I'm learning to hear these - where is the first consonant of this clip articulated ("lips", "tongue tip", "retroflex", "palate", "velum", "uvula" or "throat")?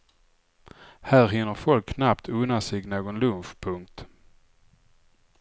throat